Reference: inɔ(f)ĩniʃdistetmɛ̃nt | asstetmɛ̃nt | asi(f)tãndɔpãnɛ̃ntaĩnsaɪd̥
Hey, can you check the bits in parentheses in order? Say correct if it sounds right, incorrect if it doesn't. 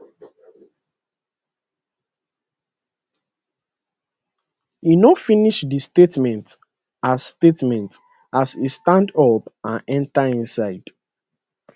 correct, incorrect

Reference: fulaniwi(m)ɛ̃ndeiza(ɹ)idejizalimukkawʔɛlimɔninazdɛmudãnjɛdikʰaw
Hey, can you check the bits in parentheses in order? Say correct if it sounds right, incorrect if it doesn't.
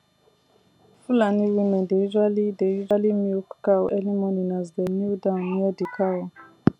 correct, incorrect

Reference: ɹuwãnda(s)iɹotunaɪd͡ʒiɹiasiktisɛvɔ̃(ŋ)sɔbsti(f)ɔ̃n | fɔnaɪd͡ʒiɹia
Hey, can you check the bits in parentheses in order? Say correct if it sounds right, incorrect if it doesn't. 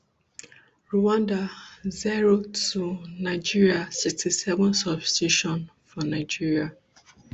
incorrect, incorrect, incorrect

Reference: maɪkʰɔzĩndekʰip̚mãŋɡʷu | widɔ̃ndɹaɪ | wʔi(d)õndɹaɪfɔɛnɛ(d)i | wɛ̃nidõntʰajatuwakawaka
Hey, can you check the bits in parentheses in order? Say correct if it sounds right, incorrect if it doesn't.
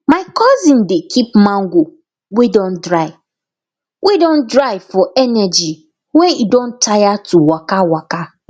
correct, incorrect

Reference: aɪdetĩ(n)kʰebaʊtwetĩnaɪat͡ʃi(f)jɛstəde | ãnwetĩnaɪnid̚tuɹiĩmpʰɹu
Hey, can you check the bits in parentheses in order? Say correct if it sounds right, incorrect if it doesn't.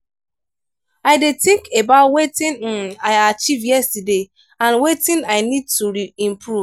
incorrect, incorrect

